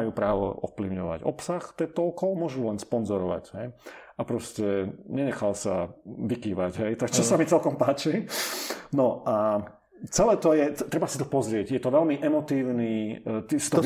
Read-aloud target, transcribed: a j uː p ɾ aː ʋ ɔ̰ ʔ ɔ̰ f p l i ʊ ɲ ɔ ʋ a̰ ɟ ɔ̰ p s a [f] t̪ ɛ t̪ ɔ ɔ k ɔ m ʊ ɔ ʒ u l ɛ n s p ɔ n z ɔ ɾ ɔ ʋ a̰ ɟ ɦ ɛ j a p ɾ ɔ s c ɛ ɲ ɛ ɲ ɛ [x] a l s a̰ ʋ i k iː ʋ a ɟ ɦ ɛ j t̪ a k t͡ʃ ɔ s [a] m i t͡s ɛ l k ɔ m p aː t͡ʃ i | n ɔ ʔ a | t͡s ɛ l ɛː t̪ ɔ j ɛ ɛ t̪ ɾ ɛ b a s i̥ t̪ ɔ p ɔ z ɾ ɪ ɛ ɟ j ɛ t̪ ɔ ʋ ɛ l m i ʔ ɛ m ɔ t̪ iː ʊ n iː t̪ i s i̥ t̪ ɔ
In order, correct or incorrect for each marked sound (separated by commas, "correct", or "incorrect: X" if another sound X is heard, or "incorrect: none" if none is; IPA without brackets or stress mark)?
incorrect: x, correct, correct